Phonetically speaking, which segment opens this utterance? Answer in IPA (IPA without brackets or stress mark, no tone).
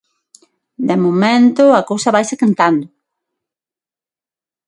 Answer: d̪